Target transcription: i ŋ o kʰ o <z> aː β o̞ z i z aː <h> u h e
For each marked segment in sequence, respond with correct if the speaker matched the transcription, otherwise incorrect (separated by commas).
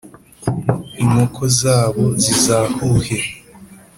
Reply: correct, correct